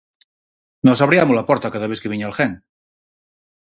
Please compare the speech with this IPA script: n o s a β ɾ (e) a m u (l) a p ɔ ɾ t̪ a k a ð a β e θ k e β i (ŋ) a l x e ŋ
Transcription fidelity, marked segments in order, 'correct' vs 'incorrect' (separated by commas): incorrect, correct, incorrect